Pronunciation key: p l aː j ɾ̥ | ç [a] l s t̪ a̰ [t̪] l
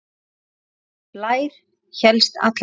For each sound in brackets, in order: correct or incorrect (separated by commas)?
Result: incorrect, correct